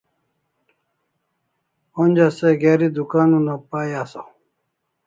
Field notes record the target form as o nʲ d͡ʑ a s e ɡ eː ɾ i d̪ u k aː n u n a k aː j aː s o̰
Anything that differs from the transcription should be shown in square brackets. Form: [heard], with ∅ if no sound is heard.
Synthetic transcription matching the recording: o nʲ d͡ʑ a s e ɡ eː ɾ i d̪ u k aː n u n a [p] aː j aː s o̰